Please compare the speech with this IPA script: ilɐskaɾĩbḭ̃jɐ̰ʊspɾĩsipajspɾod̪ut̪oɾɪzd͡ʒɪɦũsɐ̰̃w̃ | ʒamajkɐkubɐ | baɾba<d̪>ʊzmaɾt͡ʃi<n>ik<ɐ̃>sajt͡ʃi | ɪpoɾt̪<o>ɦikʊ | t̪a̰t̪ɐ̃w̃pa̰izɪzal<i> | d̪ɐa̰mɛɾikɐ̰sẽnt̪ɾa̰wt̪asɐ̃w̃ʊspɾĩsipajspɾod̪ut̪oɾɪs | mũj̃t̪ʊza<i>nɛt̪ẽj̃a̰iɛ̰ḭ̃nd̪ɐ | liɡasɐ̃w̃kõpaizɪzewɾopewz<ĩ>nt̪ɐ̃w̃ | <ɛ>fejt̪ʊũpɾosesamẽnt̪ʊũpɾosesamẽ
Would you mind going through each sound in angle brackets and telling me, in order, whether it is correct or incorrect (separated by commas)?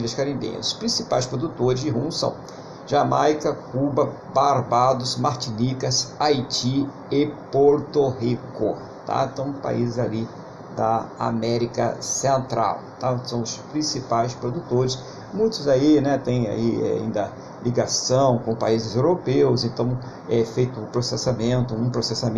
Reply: correct, correct, incorrect, correct, correct, correct, incorrect, correct